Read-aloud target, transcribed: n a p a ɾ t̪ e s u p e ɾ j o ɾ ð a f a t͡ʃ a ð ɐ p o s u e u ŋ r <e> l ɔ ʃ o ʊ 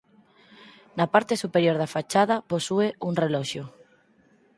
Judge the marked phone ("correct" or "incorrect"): correct